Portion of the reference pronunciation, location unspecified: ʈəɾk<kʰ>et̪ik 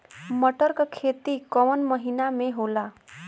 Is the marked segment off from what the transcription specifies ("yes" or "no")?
no